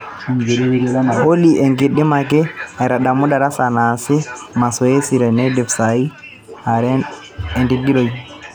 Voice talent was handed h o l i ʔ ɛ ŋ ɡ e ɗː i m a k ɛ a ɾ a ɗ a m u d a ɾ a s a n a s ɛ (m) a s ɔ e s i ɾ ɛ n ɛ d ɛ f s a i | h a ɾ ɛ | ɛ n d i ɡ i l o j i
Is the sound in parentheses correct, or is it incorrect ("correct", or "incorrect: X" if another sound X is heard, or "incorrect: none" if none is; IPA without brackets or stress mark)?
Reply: correct